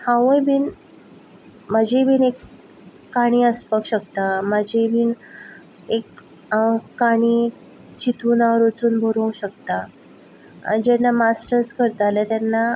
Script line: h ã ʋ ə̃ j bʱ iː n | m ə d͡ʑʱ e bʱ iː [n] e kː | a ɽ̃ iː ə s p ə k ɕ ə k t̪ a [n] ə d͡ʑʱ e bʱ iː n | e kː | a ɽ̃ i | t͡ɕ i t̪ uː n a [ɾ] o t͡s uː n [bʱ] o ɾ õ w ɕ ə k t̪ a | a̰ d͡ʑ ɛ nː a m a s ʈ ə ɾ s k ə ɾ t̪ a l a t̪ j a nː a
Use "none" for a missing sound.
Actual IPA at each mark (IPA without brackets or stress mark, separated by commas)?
n, m, ɾ, bʱ